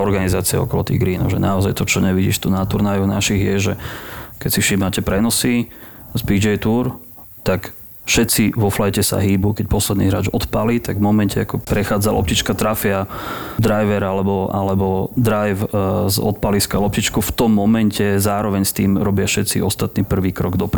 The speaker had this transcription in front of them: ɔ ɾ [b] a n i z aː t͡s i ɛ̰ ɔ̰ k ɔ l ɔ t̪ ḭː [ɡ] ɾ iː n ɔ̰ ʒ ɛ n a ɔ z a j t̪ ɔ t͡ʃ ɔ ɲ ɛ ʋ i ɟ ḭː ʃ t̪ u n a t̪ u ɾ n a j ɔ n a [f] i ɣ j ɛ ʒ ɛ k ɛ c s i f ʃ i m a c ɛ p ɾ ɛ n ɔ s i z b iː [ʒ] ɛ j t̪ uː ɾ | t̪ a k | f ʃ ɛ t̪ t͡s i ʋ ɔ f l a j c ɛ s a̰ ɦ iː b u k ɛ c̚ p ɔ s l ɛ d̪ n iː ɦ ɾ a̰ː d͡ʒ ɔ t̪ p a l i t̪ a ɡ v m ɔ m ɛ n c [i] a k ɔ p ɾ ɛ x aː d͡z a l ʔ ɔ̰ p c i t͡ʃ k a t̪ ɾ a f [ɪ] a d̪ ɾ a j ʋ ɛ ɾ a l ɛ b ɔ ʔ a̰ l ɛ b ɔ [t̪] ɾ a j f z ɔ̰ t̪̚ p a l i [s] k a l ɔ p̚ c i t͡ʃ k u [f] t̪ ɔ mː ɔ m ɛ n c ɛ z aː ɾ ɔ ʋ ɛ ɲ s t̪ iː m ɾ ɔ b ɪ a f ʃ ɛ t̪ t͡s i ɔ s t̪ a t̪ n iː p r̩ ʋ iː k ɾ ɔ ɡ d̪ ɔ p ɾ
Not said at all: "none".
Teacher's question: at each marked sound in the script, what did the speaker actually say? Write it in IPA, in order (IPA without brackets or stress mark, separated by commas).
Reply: ɡ, ɡ, ʃ, d͡ʒ, ɛ, ɪ, d̪, s, f